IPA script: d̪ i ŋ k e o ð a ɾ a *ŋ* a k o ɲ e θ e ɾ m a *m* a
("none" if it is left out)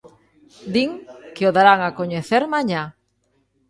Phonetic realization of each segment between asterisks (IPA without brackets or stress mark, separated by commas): ŋ, ɲ